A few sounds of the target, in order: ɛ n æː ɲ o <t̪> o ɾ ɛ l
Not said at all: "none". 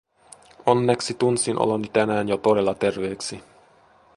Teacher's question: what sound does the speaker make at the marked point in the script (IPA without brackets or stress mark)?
t̪